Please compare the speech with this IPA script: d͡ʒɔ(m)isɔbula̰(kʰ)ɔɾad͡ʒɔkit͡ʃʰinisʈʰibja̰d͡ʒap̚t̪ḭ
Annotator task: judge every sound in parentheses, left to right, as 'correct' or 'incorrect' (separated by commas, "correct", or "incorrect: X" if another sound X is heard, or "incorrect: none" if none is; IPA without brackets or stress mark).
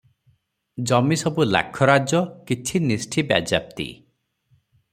correct, correct